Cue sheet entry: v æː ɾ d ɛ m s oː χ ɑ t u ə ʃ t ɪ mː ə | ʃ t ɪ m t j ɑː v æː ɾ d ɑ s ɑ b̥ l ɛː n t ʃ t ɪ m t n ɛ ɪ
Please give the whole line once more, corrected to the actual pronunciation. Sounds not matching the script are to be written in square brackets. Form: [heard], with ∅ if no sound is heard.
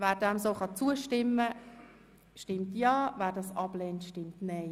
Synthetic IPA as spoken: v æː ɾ d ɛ m s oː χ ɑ [t͡s] u ə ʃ t ɪ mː ə | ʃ t ɪ m t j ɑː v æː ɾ d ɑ s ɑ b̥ l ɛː n t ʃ t ɪ m t n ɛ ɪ